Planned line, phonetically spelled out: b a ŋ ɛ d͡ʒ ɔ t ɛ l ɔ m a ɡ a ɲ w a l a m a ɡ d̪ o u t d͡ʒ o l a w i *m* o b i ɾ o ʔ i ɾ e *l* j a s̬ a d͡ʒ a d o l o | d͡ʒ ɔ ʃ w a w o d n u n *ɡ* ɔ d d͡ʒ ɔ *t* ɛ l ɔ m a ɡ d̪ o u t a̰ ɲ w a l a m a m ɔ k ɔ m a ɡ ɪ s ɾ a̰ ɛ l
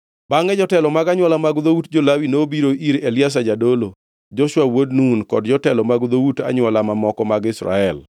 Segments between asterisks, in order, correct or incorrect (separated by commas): incorrect, correct, incorrect, correct